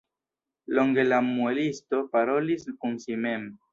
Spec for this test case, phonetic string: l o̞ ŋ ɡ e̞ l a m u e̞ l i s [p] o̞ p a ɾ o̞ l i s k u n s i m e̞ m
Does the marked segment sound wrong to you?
yes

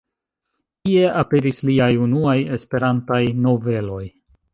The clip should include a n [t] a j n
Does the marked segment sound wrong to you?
no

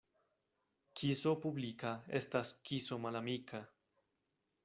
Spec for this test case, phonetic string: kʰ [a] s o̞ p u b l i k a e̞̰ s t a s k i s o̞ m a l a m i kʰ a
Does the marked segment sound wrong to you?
yes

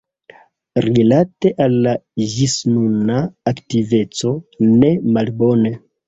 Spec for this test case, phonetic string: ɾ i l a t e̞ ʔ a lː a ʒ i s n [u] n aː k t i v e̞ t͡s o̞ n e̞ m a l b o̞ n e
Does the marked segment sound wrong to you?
no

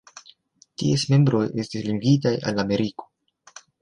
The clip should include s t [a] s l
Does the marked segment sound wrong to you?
yes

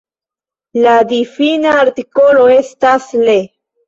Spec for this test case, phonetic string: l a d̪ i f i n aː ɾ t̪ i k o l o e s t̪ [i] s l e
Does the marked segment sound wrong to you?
yes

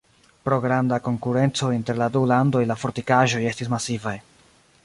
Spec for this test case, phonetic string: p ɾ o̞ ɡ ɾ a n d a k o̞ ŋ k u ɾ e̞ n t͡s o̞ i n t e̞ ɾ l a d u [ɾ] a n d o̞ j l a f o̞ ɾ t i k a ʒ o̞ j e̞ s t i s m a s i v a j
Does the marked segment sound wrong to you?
yes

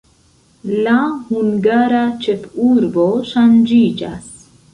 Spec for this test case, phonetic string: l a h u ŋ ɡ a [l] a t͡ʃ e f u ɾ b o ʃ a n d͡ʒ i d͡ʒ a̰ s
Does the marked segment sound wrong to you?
yes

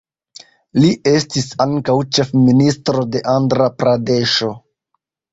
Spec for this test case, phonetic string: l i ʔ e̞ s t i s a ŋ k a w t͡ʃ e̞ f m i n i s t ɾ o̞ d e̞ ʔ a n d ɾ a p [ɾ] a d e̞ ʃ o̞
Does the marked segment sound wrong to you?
no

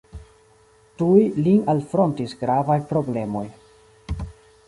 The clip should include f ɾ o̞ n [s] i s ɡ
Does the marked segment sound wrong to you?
yes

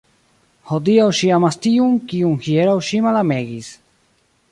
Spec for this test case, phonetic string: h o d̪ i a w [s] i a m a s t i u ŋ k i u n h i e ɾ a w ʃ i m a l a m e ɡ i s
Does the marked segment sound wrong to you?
yes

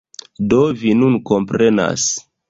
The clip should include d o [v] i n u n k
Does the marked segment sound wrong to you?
no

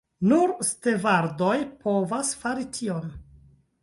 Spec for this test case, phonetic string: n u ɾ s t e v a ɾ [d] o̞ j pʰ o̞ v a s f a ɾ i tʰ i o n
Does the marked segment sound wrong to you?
no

